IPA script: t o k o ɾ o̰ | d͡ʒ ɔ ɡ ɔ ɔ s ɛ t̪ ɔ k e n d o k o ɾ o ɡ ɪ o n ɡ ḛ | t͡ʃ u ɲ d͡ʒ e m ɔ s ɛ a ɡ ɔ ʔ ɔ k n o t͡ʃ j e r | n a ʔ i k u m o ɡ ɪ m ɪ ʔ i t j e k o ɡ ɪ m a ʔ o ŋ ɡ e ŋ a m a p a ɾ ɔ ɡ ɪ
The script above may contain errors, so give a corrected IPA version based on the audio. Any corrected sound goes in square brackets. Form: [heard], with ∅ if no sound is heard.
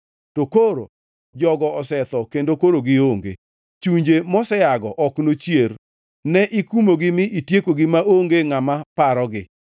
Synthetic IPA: t o k o ɾ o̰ | d͡ʒ ɔ ɡ ɔ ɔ s ɛ t̪ ɔ k e n d o k o ɾ o ɡ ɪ o [ŋ] ɡ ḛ | t͡ʃ u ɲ d͡ʒ e m ɔ s ɛ a ɡ ɔ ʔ ɔ k n o t͡ʃ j e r | n [ɛ] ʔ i k u m o ɡ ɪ m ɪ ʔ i t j e k o ɡ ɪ m a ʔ o ŋ ɡ e ŋ a m a p a ɾ ɔ ɡ ɪ